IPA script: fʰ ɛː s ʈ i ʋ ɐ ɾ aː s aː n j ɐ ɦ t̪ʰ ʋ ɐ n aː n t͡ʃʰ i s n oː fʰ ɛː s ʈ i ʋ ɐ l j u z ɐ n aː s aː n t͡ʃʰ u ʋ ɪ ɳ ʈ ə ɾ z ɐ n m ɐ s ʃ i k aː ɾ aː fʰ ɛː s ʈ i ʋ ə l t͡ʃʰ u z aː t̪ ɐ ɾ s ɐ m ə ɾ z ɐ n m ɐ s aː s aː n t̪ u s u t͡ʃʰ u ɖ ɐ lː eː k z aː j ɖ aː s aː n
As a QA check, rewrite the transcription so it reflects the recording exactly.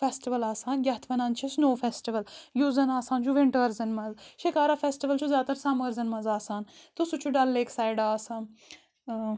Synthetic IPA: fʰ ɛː s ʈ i ʋ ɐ l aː s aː n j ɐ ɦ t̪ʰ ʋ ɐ n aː n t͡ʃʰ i s n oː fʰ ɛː s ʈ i ʋ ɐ l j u z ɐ n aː s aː n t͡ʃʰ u ʋ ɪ ɳ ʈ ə ɾ z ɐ n m ɐ z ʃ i k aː ɾ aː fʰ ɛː s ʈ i ʋ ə l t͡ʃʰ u z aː t̪ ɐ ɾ s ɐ m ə ɾ z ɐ n m ɐ z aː s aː n t̪ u s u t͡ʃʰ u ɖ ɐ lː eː k s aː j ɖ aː s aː n